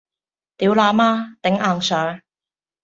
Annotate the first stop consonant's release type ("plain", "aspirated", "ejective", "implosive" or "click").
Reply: plain